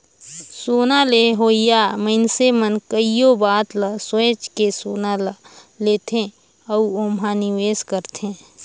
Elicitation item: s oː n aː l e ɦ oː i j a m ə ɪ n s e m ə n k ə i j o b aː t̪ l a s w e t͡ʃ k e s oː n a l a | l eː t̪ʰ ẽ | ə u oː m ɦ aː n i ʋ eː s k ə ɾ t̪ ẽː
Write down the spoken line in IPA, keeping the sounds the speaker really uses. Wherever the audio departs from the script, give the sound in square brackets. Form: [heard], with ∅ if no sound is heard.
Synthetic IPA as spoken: s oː n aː l e ɦ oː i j a m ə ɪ n s e m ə n k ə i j o b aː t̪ l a s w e t͡ʃ k e s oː n a l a | l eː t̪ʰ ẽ | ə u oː m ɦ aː n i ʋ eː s k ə ɾ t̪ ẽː